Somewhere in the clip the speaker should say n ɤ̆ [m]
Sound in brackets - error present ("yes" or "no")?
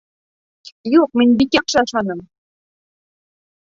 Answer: no